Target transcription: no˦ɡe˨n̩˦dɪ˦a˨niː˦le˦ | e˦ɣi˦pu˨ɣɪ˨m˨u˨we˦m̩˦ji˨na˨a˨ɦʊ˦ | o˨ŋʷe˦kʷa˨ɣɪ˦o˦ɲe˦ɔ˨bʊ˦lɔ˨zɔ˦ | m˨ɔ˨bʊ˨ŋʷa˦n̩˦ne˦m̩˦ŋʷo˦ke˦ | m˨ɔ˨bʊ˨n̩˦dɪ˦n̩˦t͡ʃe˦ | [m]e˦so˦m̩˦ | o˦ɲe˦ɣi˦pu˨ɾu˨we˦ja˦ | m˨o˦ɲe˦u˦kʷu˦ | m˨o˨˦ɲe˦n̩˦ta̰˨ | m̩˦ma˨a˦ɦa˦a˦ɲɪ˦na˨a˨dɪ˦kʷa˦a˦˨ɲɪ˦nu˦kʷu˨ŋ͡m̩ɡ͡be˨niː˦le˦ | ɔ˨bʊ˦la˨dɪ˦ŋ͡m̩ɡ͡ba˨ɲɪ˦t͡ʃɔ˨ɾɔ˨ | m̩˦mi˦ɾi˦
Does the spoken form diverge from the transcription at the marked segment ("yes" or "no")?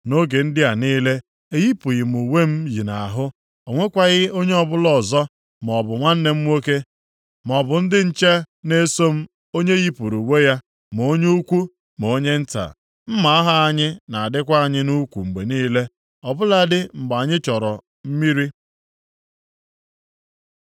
yes